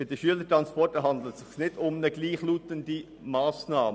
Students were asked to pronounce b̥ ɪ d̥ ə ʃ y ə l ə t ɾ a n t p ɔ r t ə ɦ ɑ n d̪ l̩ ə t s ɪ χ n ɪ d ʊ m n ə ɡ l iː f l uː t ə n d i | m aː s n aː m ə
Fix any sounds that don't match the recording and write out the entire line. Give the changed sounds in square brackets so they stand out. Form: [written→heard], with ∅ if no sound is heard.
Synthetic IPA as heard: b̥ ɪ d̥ ə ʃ y ə l ə t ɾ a n [t→s] p ɔ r t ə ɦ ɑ n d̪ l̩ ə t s ɪ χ n ɪ d ʊ m n ə ɡ l iː [f→χ] l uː t ə n d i | m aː s n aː m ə